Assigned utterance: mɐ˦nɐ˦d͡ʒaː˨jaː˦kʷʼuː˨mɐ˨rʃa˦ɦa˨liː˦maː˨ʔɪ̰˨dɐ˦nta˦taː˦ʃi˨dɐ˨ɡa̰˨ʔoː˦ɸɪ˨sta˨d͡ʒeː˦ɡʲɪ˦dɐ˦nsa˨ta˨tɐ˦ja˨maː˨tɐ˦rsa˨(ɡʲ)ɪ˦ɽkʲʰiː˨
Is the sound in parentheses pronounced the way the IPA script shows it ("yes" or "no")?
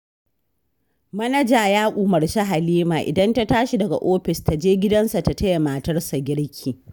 yes